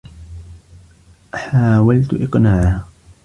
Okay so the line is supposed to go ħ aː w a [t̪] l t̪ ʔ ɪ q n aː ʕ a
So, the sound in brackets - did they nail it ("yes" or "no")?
no